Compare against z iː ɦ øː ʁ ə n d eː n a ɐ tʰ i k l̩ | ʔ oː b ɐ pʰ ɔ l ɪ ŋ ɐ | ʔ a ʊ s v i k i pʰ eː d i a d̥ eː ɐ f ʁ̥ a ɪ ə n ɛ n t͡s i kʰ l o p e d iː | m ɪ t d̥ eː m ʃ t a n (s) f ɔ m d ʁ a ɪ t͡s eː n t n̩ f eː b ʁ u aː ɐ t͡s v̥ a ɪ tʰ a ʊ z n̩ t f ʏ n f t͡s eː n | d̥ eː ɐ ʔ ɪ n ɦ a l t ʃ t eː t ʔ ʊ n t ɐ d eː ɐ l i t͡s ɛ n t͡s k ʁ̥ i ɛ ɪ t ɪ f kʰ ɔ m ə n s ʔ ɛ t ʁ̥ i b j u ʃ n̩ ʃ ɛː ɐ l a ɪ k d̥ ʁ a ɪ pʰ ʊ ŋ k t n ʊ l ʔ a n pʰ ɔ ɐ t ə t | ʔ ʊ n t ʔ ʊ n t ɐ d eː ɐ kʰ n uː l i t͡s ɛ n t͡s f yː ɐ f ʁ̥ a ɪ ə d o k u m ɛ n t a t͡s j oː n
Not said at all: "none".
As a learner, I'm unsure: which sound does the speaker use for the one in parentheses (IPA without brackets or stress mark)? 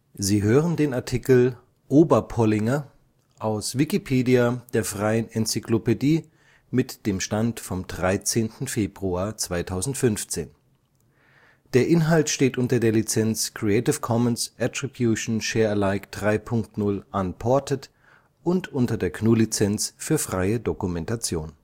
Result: t